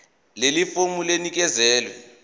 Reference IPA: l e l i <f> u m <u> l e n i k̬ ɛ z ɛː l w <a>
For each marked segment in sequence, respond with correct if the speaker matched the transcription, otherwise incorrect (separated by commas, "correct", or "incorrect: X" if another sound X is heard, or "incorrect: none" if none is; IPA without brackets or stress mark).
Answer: correct, correct, incorrect: ɛ